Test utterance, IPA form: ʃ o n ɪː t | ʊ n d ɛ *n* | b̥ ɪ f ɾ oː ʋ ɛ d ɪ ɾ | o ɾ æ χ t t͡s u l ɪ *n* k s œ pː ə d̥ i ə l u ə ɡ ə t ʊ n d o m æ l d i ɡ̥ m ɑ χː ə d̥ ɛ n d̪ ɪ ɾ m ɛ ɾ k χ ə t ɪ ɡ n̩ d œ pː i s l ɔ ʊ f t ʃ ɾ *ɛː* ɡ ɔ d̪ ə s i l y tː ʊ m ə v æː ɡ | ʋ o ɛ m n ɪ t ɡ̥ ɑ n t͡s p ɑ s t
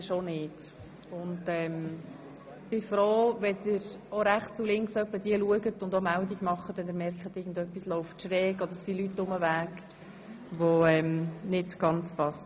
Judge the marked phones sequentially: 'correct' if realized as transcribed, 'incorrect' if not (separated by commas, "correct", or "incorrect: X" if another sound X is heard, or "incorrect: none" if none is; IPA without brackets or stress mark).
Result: incorrect: m, incorrect: ŋ, correct